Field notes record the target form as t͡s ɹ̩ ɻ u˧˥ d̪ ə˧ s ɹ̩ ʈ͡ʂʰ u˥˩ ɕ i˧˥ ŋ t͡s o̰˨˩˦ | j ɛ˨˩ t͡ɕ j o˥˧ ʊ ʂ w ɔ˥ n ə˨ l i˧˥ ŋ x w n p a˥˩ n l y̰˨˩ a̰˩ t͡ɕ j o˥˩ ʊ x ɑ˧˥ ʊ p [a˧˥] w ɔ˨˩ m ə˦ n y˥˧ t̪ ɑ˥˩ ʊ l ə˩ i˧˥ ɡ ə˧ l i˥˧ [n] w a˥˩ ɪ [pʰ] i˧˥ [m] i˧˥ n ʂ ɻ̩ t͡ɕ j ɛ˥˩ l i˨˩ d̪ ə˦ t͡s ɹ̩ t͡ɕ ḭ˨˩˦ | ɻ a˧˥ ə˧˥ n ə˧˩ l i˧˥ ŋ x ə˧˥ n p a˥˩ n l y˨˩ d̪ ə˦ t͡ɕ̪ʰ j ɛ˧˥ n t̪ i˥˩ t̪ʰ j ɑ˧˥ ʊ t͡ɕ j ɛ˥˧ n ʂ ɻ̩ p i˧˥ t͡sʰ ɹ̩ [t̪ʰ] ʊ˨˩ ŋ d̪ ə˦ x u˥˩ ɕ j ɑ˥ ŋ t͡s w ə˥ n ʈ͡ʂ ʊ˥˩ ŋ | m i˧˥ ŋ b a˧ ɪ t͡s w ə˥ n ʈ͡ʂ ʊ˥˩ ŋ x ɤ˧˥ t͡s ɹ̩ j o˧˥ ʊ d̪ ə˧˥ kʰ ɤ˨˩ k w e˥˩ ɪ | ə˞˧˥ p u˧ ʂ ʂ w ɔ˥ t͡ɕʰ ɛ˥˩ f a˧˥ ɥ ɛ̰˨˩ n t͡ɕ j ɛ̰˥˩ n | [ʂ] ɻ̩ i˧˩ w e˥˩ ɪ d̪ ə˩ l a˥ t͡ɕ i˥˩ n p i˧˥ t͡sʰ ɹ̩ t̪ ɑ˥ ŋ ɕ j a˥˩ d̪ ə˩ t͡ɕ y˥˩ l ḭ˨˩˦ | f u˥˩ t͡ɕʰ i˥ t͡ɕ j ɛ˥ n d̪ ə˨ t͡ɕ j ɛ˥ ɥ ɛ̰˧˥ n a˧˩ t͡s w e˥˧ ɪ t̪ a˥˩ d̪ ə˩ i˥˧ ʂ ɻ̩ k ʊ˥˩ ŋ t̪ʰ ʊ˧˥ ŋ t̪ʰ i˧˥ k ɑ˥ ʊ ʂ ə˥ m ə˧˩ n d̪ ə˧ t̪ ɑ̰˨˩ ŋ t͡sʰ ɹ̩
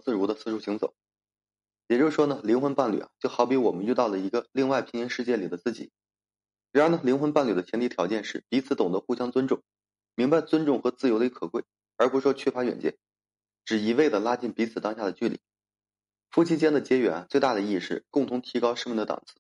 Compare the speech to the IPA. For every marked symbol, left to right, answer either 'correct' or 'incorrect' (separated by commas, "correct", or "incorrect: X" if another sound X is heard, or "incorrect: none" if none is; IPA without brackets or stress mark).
incorrect: i˧˥, incorrect: ŋ, correct, incorrect: ŋ, incorrect: t̪, incorrect: ʈ͡ʂ